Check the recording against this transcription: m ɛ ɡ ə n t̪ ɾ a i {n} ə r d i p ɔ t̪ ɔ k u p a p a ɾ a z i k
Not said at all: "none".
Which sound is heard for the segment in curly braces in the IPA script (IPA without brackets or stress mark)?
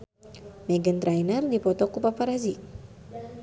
n